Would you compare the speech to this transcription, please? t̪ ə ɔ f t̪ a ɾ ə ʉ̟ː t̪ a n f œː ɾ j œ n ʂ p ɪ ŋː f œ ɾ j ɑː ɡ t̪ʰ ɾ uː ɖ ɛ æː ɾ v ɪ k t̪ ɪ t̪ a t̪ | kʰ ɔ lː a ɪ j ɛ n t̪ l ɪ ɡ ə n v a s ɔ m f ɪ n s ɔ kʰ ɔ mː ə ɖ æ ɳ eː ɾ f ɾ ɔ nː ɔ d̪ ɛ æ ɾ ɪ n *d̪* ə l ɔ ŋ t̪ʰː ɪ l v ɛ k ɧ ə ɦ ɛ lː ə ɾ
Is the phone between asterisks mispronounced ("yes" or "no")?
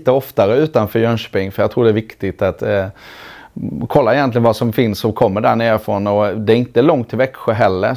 yes